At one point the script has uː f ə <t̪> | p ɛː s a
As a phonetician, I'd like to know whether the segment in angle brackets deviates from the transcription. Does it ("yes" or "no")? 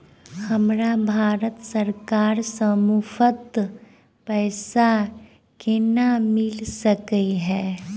no